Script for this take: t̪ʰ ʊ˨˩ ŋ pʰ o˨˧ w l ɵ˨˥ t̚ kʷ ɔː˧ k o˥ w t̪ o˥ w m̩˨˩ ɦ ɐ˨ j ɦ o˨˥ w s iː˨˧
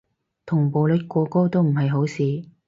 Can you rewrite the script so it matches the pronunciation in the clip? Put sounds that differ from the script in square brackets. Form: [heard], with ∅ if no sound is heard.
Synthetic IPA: t̪ʰ ʊ˨˩ ŋ [p] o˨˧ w l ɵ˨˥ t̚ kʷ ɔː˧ k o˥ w t̪ o˥ w m̩˨˩ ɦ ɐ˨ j ɦ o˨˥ w s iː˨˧